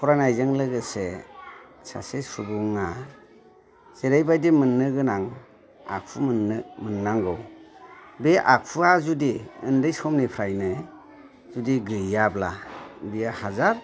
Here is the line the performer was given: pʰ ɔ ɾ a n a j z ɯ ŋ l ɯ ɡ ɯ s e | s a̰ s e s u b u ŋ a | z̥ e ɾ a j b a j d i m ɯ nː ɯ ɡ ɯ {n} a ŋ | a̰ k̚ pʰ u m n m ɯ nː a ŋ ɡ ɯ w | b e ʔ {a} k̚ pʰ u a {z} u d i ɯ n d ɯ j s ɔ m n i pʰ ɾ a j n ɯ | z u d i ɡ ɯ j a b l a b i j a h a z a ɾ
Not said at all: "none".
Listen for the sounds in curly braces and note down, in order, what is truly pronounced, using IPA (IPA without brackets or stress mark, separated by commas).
n, a, z